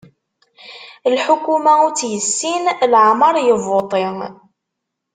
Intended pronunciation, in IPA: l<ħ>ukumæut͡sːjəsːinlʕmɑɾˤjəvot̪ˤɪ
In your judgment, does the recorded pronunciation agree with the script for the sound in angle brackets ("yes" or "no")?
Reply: yes